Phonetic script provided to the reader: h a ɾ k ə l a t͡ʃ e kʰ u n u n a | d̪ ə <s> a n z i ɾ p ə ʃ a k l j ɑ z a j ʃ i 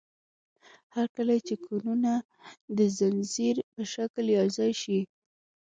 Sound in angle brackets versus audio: incorrect: z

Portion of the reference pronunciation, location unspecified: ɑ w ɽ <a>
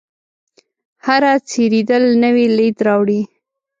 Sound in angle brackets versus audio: incorrect: i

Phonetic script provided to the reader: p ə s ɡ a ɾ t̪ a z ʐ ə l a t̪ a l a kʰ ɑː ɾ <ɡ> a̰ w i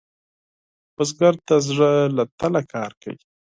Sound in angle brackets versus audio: incorrect: k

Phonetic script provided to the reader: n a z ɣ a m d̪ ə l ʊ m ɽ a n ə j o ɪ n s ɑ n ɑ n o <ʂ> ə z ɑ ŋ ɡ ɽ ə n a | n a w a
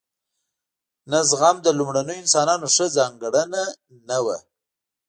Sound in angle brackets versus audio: correct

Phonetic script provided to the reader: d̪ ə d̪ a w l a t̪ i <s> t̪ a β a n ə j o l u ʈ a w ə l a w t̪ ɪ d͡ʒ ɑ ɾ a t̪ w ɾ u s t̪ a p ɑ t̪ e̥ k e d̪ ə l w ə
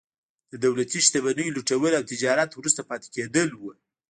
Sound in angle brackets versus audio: incorrect: ʃ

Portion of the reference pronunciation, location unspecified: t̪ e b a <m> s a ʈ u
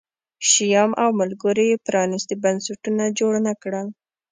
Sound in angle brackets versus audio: incorrect: n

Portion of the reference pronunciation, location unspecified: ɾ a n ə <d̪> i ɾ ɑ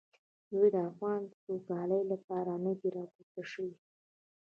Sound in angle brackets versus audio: correct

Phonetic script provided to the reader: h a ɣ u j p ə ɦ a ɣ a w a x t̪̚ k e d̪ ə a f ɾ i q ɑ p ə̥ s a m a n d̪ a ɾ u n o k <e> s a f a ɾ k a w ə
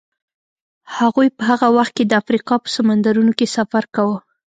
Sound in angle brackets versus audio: correct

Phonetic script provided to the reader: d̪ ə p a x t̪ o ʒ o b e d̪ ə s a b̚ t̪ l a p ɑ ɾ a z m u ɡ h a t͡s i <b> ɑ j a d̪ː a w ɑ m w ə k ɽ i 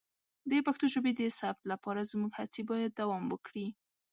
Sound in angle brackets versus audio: correct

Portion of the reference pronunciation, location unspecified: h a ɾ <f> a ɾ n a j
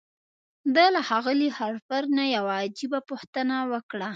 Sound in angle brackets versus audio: correct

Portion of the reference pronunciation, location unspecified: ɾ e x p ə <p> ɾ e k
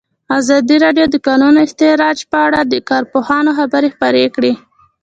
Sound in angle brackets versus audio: incorrect: none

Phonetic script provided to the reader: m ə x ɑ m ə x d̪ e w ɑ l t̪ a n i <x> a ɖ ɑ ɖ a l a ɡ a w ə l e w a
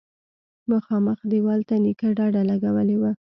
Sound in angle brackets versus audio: incorrect: k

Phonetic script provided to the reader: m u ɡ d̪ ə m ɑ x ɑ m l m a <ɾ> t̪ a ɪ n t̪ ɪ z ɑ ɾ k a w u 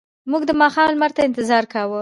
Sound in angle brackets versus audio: correct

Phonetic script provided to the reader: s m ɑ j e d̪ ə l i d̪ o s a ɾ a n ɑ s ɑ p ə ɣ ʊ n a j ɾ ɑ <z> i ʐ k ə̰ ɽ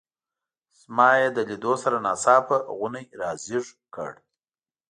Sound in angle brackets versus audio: correct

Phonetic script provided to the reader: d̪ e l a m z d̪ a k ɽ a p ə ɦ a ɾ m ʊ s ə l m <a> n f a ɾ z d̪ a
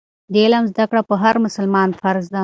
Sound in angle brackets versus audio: incorrect: ɑ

